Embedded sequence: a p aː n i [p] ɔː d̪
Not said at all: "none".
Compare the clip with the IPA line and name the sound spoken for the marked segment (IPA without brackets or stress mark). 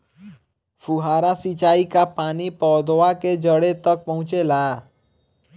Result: p